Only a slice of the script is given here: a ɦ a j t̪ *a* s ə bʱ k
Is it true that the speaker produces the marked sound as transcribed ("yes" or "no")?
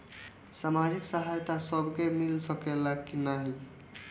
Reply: yes